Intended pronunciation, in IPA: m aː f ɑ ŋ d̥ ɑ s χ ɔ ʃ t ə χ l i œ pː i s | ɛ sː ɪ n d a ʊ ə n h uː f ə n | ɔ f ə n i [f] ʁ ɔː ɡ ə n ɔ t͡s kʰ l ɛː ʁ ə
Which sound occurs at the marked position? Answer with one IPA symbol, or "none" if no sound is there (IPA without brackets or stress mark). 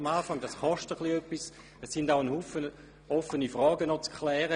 f